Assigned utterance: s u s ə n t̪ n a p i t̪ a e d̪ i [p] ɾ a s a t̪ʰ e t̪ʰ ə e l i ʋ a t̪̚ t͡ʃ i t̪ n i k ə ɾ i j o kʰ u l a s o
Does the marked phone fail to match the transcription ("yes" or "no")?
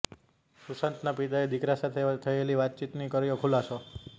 yes